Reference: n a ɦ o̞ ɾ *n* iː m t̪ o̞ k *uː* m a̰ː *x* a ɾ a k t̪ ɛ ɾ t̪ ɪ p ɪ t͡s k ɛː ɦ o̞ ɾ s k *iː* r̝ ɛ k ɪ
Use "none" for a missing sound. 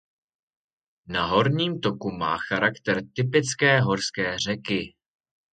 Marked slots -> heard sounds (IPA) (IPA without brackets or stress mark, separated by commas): ɲ, u, x, ɛː